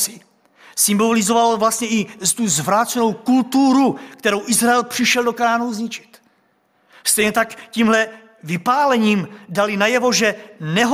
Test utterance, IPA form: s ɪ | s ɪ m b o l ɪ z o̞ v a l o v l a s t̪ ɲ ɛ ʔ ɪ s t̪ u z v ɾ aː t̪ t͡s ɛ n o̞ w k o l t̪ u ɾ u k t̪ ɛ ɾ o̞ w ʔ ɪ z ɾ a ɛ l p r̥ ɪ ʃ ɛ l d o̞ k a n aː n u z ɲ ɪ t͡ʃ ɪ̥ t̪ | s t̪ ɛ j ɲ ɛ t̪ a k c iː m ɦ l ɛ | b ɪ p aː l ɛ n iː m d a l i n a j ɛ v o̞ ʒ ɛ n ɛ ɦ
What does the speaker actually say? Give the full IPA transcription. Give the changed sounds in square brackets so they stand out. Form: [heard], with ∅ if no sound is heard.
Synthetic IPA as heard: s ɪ | s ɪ m b o l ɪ z o̞ v a l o v l a s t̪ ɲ ɛ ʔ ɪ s t̪ u z v ɾ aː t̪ t͡s ɛ n o̞ w k [u] l t̪ u ɾ u k t̪ ɛ ɾ o̞ w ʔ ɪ z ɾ a ɛ l p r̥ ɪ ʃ ɛ l d o̞ k a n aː n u z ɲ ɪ t͡ʃ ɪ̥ t̪ | s t̪ ɛ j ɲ ɛ t̪ a k c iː m ɦ l ɛ | [v] ɪ p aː l ɛ [ɲ] iː m d a l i n a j ɛ v o̞ ʒ ɛ n ɛ ɦ